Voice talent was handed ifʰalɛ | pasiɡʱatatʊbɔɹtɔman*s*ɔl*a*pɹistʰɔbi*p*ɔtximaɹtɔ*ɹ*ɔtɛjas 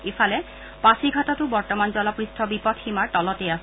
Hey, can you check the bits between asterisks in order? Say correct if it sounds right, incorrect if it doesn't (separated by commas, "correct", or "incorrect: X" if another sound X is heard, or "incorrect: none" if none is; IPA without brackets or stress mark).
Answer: incorrect: z, correct, correct, incorrect: l